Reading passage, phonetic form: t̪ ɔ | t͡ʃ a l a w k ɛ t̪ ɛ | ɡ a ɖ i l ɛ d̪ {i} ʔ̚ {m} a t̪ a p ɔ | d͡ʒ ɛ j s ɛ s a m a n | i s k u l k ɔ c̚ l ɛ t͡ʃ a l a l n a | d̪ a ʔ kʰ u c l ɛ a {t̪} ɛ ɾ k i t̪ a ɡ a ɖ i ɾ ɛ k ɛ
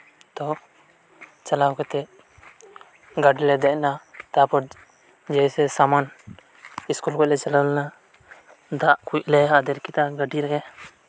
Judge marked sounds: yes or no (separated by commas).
no, no, no